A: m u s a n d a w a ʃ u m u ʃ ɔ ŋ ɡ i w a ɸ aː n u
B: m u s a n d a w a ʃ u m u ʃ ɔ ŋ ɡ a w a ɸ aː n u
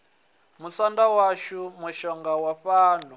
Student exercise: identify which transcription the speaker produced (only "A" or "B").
B